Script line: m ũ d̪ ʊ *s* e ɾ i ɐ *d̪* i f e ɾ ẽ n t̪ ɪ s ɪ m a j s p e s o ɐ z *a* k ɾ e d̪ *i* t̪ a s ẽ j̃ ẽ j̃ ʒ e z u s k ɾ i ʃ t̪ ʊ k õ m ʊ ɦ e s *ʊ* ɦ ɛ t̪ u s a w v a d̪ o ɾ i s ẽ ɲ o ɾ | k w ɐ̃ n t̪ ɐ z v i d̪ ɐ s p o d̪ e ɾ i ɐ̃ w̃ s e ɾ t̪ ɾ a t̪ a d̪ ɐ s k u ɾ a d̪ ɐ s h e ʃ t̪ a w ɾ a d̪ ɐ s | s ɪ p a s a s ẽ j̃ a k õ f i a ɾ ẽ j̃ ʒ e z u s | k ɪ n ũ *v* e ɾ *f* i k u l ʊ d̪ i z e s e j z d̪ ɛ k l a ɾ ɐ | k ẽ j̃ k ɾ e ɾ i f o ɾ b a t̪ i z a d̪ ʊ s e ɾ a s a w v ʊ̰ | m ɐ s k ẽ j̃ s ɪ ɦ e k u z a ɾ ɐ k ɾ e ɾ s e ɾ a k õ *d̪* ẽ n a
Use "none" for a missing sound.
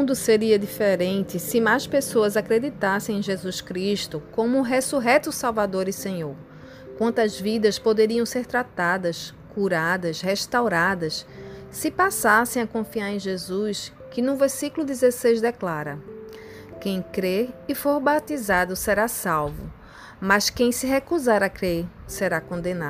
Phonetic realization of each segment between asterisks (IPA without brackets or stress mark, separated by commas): s, d̪, a, i, u, v, s, d̪